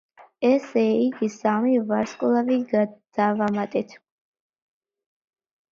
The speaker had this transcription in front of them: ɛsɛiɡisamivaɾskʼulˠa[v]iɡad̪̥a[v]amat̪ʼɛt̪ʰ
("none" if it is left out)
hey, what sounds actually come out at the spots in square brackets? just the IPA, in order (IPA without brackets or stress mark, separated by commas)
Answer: v, v